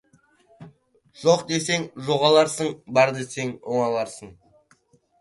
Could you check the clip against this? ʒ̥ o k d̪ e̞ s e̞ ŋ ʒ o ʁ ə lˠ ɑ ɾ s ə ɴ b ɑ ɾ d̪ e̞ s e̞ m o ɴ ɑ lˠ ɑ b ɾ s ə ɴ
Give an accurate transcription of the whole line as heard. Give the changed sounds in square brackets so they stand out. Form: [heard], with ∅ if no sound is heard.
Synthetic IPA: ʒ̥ o [q] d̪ e̞ s e̞ ŋ ʒ o ʁ [ɑ] lˠ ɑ ɾ s ə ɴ b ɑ ɾ d̪ e̞ s e̞ [ŋ] o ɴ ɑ lˠ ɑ [∅] ɾ s ə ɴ